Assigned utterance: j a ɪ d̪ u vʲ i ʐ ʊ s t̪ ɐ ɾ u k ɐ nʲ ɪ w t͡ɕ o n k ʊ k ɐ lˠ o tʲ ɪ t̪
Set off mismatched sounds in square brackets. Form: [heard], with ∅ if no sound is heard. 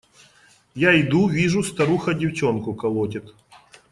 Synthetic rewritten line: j a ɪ d̪ u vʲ i ʐ ʊ s t̪ ɐ ɾ u [x] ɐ [dʲ] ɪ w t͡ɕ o n k ʊ k ɐ lˠ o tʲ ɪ t̪